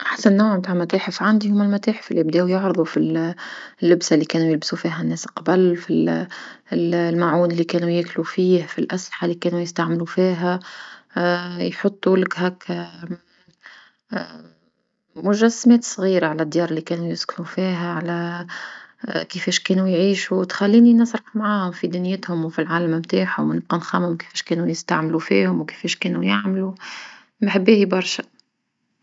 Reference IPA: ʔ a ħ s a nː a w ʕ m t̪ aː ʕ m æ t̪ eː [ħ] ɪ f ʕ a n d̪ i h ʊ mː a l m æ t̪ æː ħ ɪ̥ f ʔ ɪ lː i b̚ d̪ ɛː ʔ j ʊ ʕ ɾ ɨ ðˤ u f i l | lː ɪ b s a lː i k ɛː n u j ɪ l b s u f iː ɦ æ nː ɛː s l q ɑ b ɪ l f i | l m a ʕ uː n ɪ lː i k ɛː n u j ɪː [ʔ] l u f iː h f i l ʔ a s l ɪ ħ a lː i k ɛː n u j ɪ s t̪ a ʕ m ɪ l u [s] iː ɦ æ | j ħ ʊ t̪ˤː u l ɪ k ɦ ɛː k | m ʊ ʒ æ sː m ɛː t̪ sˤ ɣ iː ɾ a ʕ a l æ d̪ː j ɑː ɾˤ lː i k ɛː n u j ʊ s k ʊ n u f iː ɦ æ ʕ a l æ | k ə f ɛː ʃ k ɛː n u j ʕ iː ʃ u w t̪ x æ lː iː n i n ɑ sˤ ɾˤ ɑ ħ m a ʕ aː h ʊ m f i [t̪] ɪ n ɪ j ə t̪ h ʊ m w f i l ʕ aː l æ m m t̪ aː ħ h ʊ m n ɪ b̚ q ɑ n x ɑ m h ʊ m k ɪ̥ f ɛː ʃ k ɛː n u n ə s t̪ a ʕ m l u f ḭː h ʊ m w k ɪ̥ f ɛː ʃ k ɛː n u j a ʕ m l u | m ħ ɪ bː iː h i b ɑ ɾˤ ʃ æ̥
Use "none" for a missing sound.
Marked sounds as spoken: ħ, k, f, d̪

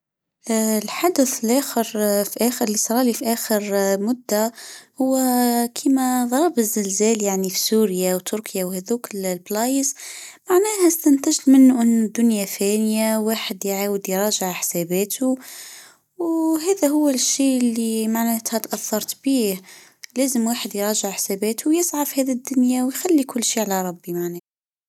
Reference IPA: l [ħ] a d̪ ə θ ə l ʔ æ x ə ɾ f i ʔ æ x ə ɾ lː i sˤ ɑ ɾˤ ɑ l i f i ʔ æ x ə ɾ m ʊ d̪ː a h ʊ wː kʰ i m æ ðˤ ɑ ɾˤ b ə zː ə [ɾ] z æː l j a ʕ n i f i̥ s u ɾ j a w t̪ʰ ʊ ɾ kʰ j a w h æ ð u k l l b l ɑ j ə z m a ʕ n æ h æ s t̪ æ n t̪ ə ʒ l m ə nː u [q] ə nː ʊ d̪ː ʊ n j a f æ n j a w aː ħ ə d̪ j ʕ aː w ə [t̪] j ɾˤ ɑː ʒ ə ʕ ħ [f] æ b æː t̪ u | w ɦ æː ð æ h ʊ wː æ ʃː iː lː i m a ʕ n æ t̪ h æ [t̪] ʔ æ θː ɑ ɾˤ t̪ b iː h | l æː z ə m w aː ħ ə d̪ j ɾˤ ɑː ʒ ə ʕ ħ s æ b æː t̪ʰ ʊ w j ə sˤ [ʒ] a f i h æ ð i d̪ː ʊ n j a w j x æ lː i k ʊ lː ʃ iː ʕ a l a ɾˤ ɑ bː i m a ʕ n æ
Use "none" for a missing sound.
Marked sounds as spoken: ħ, l, ʔ, d̪, s, t̪, ʕ

